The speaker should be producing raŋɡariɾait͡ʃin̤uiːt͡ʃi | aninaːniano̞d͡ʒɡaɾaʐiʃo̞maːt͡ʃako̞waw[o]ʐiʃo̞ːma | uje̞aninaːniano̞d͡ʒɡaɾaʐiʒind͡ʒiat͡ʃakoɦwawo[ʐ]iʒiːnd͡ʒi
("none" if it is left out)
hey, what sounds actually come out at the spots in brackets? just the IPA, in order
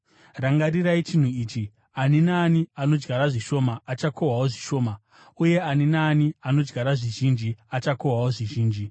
o, ʐ

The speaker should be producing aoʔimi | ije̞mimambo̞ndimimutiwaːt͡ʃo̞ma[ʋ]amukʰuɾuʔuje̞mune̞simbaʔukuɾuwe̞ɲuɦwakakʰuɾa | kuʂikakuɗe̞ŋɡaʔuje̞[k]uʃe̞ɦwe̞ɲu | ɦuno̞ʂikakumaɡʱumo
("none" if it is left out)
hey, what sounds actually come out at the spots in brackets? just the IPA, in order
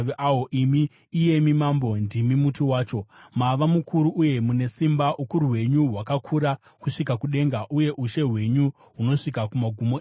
ʋ, ʔ

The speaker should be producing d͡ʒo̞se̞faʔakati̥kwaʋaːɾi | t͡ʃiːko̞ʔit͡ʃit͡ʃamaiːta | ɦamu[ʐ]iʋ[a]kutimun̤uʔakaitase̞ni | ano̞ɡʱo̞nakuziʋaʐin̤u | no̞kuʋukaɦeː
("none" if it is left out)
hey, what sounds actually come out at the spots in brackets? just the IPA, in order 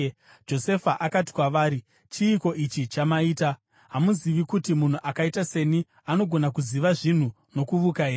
z, i

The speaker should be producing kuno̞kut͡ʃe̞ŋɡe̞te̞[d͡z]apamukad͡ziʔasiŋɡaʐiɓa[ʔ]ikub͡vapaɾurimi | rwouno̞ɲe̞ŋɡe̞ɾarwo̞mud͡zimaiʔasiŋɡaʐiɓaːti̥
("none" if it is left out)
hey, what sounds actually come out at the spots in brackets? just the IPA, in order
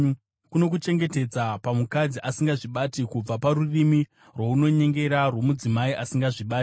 d͡z, t

